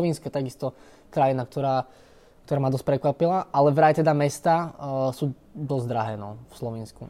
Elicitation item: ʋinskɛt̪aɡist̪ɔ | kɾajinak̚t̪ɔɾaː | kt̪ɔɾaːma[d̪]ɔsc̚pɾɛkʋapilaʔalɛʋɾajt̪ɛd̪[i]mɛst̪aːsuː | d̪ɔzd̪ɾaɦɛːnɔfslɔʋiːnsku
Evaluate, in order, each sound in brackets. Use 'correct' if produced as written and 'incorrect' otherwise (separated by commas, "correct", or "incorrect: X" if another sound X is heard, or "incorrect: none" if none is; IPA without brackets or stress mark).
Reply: correct, incorrect: a